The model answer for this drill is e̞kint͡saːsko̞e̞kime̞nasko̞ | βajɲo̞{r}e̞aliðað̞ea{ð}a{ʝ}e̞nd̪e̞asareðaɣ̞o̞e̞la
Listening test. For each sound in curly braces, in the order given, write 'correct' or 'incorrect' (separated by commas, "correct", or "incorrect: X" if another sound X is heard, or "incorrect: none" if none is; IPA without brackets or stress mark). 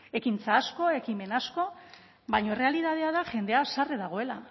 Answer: correct, correct, correct